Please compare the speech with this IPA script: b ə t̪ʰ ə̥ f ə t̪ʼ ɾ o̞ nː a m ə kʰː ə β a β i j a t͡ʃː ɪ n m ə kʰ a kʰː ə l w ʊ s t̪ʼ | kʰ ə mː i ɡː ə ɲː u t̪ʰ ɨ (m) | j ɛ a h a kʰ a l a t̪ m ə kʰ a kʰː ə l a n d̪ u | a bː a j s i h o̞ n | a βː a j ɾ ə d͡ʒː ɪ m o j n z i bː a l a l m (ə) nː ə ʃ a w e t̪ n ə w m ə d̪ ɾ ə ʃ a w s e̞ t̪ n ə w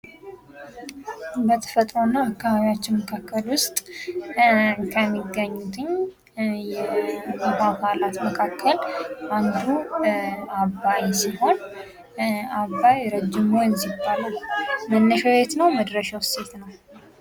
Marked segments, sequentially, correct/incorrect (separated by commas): incorrect, correct